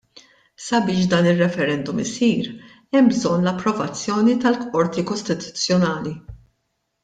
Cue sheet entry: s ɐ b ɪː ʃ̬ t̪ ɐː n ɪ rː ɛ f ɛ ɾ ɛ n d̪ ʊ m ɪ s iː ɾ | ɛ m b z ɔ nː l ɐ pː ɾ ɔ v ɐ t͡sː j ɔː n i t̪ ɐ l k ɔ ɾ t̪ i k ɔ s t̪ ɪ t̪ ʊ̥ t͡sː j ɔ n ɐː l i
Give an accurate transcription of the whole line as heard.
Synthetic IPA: s ɐ b ɪː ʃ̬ d̪ ɐː n ɪ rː ɛ f ɛ ɾ ɛ n d̪ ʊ m ɪ s iː ɾ | ɛ m b z ɔ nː l ɐ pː ɾ ɔ v ɐ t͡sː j ɔː n i t̪ ɐ l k ɔ ɾ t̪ i k ɔ s t̪ ɪ t̪ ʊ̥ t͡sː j ɔ n ɐː l i